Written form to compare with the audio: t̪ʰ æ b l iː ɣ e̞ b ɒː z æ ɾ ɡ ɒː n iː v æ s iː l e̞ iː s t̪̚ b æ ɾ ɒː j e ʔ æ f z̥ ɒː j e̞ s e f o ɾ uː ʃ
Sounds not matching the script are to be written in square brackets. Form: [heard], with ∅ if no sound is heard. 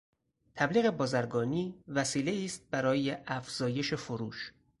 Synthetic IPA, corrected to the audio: t̪ʰ æ b l iː ɣ e̞ b ɒː z æ ɾ ɡ ɒː n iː v æ s iː l e̞ iː s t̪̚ b æ ɾ ɒː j e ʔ æ f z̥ ɒː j e̞ [ʃ] e f o ɾ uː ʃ